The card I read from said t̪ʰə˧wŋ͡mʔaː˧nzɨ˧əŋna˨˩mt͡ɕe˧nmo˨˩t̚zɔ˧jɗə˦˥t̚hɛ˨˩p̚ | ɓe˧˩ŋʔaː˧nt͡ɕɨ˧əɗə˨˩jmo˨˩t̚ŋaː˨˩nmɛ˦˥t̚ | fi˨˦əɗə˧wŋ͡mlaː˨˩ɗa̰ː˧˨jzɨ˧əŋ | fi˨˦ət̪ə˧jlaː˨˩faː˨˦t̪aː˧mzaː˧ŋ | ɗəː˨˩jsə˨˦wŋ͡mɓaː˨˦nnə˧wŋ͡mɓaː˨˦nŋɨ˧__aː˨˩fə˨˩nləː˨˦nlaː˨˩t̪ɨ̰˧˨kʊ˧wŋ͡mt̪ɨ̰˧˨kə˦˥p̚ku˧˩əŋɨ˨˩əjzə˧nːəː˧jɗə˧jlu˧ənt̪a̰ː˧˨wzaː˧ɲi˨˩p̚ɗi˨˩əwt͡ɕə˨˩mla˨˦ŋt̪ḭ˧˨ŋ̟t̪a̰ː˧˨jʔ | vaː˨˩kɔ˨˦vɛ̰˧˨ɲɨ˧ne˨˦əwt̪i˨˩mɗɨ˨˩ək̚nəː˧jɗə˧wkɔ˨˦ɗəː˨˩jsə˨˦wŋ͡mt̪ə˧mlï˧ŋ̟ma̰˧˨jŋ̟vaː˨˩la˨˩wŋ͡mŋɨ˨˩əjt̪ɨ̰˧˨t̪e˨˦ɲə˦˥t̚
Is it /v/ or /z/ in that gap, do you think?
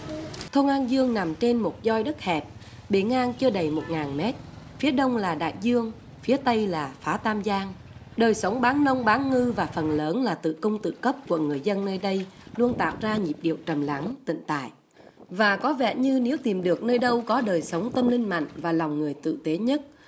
v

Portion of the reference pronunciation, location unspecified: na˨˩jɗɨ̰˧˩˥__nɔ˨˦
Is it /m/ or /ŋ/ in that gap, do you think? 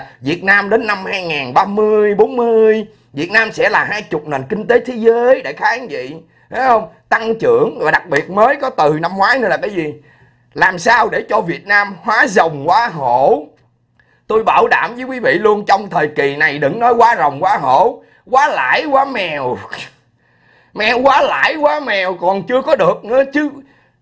ŋ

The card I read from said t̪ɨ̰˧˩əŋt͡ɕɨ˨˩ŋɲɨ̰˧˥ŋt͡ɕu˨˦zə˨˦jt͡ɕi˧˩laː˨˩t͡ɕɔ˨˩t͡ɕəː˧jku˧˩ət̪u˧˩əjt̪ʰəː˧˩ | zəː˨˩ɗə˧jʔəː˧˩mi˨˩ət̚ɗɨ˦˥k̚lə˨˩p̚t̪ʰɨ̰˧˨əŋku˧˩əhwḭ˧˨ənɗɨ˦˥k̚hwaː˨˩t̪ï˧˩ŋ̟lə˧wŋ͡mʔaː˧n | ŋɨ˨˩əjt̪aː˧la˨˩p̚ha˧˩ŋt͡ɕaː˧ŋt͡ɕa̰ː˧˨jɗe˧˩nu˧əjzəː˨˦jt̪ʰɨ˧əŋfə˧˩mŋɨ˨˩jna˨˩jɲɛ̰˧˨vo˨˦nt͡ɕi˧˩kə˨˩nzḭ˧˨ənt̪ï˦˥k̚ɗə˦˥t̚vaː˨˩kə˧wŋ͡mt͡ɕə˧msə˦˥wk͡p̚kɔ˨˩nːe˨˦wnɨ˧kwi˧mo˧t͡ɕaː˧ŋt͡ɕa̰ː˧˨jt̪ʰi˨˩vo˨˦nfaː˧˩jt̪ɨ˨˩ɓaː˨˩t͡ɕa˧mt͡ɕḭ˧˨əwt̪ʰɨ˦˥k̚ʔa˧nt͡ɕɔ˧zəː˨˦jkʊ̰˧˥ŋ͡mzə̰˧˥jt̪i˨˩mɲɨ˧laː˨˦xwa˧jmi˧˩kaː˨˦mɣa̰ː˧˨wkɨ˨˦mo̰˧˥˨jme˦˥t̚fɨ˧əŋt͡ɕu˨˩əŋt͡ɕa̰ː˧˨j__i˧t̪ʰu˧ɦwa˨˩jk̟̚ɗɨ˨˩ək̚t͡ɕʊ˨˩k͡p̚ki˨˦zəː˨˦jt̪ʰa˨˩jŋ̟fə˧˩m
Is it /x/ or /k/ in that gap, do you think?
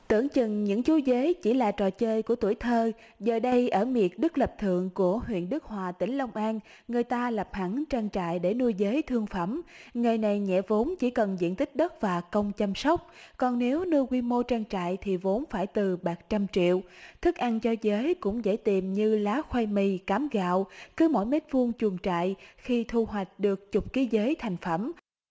x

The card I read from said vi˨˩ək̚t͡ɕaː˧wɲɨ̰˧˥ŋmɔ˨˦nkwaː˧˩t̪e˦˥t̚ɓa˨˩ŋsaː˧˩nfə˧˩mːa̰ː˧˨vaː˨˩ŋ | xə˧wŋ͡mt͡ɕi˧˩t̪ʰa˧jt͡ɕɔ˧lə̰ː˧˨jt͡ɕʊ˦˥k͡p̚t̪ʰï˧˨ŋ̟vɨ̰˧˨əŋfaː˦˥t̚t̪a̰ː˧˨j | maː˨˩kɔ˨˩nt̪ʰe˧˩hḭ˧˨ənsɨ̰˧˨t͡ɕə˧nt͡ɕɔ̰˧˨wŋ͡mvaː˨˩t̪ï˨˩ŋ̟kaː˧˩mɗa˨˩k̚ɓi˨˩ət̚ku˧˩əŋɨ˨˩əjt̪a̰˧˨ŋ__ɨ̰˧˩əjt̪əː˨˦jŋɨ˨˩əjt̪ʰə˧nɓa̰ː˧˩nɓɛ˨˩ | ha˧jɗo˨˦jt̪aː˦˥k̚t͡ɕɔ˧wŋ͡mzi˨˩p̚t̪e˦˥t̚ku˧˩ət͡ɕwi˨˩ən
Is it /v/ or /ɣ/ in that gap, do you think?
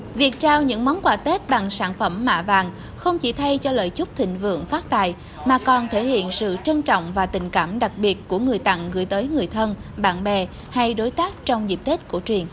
ɣ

